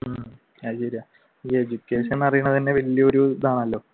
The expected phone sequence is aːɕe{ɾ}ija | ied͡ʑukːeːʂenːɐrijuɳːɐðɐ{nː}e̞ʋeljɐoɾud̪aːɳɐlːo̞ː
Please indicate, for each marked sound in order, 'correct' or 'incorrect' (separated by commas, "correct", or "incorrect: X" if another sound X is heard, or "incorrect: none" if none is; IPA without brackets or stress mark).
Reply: correct, correct